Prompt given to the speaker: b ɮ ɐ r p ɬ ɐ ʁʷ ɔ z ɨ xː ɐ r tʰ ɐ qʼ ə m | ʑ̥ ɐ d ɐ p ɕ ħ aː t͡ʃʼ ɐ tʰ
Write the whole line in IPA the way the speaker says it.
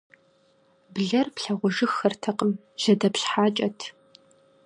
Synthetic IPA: b ɮ ɐ r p ɬ ɐ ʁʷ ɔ ʒ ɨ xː ɐ r tʰ ɐ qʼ ə m | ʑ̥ ɐ d ɐ p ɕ ħ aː t͡ʃʼ ɐ tʰ